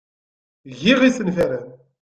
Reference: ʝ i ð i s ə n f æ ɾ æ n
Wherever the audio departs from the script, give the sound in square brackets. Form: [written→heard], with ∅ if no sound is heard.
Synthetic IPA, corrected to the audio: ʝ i [ð→ʁ] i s ə n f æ ɾ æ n